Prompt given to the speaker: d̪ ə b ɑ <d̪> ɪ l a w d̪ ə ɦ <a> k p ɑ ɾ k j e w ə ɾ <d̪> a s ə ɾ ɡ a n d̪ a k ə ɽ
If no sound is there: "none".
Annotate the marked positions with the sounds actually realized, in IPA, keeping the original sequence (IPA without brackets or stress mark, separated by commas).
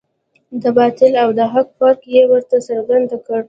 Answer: t̪, a, t̪